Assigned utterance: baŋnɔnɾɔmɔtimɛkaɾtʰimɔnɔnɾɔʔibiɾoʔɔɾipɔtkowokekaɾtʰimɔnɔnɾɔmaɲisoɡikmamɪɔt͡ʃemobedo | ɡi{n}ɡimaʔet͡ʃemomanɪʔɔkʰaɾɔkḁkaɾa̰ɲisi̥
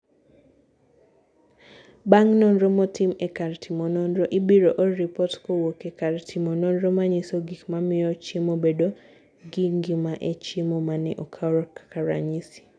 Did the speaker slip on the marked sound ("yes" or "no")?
yes